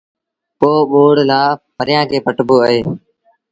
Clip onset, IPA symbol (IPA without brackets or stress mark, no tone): p